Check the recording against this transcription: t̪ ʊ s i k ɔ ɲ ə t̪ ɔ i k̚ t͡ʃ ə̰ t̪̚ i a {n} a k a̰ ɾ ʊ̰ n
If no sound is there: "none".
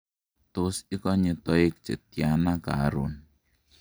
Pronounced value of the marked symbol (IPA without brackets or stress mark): n